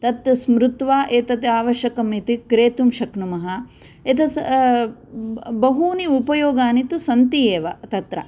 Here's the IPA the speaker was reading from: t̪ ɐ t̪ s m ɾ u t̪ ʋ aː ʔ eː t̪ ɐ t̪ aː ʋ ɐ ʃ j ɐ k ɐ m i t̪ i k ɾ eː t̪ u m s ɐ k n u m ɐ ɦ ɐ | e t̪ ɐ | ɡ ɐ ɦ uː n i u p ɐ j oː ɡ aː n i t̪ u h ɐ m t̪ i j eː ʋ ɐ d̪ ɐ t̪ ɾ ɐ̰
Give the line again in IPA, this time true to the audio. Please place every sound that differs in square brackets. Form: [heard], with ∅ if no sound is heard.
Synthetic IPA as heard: t̪ ɐ t̪ s m ɾ u t̪ ʋ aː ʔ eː t̪ ɐ t̪ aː ʋ ɐ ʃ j ɐ k ɐ m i t̪ i k ɾ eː t̪ u m [ʃ] ɐ k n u m ɐ ɦ ɐ | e t̪ ɐ | [b] ɐ ɦ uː n i u p ɐ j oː ɡ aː n i t̪ u [s] ɐ [n] t̪ i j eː ʋ ɐ [t̪] ɐ t̪ ɾ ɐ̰

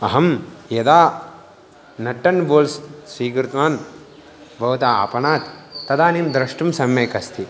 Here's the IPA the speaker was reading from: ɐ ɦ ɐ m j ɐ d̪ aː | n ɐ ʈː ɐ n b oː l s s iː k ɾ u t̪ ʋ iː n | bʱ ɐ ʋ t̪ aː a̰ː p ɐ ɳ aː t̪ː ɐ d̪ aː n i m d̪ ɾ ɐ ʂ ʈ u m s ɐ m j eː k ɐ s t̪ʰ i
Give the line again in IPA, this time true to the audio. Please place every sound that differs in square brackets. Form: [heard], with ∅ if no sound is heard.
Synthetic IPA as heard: ɐ ɦ ɐ m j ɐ d̪ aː | n ɐ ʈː ɐ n b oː l s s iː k ɾ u t̪ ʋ [aː] n | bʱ ɐ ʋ t̪ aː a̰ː p ɐ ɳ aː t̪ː ɐ d̪ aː n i m d̪ ɾ ɐ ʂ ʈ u m s ɐ m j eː k ɐ s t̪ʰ i

